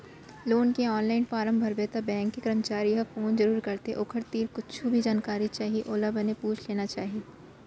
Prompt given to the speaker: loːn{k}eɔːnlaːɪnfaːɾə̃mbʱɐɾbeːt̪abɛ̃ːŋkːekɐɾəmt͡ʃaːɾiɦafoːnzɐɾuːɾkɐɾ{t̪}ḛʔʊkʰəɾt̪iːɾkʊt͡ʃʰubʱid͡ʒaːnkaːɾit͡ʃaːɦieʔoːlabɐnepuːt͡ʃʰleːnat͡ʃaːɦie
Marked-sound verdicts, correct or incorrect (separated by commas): correct, correct